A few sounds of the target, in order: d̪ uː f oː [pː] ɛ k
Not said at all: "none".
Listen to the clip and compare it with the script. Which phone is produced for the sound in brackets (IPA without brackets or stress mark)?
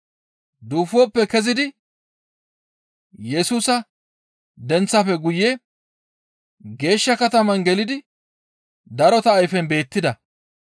pː